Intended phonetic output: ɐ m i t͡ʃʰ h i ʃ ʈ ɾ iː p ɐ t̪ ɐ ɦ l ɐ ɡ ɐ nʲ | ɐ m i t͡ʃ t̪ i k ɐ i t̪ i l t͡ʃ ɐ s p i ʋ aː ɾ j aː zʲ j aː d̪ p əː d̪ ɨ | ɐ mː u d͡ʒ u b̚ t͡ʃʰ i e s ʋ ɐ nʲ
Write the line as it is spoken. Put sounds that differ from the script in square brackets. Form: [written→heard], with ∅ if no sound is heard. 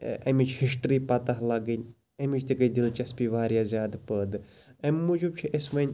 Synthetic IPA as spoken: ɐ m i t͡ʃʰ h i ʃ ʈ ɾ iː p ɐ t̪ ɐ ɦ l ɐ ɡ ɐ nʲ | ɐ m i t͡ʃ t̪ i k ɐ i [t̪→d̪] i l t͡ʃ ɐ s p i ʋ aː ɾ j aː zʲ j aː d̪ p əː d̪ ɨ | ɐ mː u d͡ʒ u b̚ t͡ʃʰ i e s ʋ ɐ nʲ